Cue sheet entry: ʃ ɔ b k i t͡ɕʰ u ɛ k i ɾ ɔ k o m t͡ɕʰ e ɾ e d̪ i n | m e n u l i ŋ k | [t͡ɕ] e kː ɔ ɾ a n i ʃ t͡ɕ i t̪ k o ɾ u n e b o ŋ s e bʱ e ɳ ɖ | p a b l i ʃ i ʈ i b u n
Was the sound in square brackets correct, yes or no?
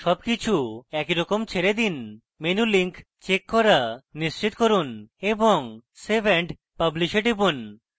yes